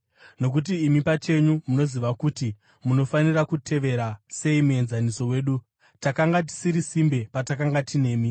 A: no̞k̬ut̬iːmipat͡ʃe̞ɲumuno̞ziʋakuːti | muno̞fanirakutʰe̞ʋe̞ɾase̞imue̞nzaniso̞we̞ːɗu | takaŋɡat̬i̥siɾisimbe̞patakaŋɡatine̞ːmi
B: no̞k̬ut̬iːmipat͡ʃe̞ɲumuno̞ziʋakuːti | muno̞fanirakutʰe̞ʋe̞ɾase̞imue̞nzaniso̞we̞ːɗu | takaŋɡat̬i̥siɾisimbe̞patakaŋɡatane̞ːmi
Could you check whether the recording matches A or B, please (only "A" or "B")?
A